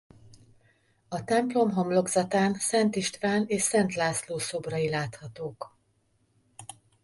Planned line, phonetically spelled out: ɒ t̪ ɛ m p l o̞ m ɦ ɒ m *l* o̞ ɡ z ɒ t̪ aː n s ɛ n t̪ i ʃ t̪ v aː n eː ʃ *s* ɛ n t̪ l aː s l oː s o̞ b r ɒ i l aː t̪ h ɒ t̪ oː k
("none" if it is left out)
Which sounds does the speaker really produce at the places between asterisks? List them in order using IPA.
l, s

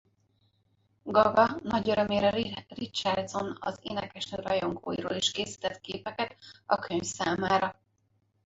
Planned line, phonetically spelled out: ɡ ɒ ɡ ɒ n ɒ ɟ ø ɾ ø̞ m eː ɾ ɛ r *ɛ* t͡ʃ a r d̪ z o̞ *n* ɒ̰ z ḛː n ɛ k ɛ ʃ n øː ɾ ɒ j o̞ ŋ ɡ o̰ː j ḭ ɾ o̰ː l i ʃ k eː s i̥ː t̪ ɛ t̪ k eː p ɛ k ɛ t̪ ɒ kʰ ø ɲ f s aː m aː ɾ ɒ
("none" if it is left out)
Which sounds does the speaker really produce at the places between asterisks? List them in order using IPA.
i, n

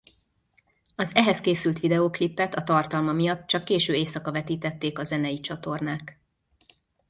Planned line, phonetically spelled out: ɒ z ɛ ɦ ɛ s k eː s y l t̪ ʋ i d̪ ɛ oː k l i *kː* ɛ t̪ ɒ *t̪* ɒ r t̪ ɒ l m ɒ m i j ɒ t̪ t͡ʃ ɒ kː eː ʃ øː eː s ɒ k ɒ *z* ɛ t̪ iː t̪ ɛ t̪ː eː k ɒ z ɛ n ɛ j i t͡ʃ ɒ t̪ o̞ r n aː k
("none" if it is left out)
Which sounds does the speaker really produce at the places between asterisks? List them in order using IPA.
pː, t̪, v

